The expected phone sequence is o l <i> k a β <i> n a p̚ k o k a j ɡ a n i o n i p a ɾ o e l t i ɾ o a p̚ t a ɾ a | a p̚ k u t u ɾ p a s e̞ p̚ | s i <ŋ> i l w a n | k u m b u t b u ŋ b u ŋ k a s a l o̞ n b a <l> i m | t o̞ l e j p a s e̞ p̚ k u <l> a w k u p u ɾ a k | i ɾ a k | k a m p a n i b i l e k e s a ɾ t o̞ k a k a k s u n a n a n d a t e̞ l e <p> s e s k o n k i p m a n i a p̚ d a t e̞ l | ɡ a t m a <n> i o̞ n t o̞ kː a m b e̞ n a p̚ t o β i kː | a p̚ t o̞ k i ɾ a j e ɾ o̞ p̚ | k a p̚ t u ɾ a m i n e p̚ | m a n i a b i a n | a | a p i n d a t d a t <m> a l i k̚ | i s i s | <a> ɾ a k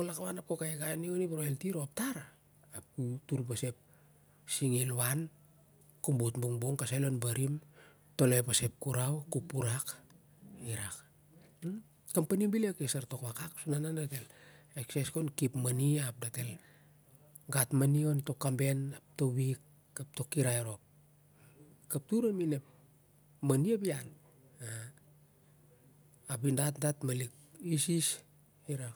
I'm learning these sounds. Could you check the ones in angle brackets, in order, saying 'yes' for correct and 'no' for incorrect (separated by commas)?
no, no, yes, no, no, no, yes, yes, no